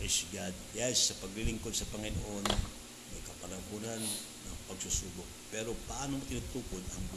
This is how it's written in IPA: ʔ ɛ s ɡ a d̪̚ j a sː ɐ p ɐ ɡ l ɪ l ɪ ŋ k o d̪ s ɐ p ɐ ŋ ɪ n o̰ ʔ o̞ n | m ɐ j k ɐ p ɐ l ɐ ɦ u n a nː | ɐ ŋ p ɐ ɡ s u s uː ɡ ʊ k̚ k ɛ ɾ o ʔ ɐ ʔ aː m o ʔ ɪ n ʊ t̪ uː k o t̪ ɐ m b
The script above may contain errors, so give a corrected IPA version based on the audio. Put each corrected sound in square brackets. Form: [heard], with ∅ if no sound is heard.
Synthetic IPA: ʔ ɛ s ɡ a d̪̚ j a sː ɐ p ɐ ɡ l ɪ l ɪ ŋ k o d̪ s ɐ p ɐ ŋ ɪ n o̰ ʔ o̞ n | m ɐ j k ɐ p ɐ l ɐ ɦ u n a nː | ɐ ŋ p ɐ ɡ s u s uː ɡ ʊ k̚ [p] ɛ ɾ o [p] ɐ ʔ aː [n] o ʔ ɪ n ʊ t̪ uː k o [d̪] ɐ [ŋ] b